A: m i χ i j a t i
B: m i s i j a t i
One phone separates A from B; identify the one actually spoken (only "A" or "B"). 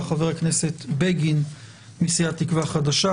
B